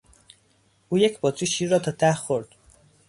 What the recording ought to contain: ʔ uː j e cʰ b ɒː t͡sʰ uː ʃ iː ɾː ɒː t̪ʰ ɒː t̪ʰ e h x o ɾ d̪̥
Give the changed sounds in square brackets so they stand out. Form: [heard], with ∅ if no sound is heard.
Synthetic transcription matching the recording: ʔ uː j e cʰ b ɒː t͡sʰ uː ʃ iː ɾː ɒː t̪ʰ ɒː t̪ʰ [æ] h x o ɾ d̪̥